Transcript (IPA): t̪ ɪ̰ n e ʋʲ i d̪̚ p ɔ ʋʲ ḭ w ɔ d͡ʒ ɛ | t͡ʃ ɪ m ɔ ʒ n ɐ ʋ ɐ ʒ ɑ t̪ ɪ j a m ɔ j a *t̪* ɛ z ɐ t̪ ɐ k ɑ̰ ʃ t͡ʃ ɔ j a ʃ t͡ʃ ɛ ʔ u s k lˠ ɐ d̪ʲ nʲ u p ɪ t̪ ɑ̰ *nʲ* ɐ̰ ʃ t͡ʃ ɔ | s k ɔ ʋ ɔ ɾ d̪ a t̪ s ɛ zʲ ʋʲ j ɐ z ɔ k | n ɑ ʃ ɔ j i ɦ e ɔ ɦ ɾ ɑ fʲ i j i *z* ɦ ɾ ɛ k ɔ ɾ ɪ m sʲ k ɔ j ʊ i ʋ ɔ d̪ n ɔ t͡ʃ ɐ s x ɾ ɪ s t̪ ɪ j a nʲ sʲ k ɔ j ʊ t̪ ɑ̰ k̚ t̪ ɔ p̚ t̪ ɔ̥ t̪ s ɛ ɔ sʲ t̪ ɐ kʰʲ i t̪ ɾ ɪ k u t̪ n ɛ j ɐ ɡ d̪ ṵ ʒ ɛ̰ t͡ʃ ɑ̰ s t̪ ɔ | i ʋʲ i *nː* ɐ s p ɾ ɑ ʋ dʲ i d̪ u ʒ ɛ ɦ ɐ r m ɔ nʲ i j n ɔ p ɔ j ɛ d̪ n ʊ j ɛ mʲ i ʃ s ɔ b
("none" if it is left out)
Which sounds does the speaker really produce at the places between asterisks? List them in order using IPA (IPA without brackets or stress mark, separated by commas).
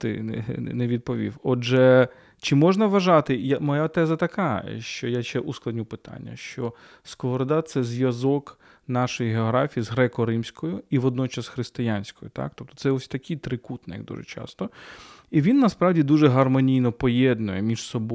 t̪, nʲː, z, nː